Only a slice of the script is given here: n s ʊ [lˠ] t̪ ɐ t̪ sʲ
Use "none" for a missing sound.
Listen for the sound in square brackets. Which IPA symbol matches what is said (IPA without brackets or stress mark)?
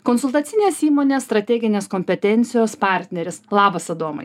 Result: lˠ